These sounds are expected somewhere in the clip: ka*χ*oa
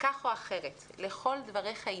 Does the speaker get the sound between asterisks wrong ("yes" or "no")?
no